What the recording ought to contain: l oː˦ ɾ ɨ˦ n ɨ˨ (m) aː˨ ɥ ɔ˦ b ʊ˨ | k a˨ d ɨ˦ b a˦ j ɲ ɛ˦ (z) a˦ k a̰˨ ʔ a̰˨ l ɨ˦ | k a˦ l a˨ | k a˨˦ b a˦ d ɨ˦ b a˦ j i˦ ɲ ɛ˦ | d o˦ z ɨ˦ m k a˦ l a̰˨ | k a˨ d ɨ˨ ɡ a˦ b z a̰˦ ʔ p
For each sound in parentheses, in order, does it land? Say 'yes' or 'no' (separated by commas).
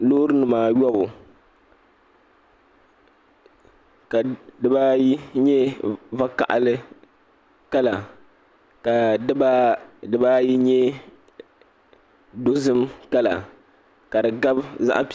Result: yes, no